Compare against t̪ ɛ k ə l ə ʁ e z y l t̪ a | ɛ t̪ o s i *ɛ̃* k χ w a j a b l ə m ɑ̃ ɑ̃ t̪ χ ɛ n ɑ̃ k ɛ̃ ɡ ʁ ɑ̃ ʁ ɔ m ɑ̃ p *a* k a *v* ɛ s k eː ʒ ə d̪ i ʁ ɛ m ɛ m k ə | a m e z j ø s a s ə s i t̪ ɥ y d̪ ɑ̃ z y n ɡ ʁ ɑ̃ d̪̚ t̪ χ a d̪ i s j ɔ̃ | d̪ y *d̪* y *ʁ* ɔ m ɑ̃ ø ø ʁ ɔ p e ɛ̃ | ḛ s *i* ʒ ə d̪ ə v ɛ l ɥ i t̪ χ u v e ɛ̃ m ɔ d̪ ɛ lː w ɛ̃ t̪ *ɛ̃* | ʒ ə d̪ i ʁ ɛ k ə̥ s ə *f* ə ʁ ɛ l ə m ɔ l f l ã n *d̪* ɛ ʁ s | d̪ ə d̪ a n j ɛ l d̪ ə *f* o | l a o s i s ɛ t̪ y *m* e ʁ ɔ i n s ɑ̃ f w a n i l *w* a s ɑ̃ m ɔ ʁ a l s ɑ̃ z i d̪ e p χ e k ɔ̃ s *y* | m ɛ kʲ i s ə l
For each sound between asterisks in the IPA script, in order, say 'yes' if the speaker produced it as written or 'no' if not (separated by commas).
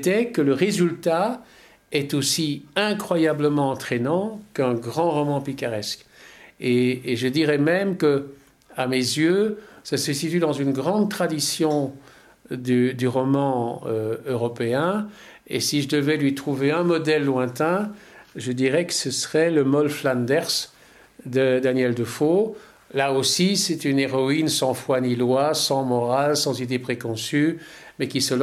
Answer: yes, no, no, yes, yes, yes, yes, no, yes, yes, no, yes, yes